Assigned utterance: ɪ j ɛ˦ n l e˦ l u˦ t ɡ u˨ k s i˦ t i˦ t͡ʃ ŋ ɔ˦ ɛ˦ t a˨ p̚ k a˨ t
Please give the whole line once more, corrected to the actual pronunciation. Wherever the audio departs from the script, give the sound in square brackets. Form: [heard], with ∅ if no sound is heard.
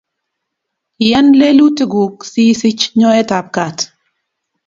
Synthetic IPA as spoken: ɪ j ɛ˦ n l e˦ l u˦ t ɡ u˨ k s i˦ [s] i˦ t͡ʃ [ɲ] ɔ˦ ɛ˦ t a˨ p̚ k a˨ t